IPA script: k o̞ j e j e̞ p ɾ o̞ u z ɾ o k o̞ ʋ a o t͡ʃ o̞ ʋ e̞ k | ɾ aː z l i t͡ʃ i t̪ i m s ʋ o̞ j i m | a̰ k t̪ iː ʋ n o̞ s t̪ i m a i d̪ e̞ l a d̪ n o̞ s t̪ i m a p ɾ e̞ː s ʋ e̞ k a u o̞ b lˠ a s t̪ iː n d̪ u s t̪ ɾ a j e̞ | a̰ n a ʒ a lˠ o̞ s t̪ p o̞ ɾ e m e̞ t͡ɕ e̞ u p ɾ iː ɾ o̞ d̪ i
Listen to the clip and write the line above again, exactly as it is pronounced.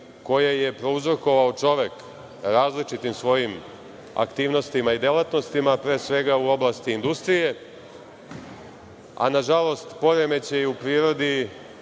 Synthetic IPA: k o̞ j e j e̞ p ɾ o̞ u z ɾ o k o̞ ʋ a o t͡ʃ o̞ ʋ e̞ k | ɾ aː z l i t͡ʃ i t̪ i m s ʋ o̞ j i m | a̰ k t̪ iː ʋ n o̞ s t̪ i m a i d̪ e̞ l a t̪ n o̞ s t̪ i m a p ɾ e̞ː s ʋ e̞ ɡ a u o̞ b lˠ a s t̪ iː n d̪ u s t̪ ɾ i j e̞ | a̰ n a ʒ a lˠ o̞ s t̪ p o̞ ɾ e m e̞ t͡ɕ e̞ u p ɾ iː ɾ o̞ d̪ i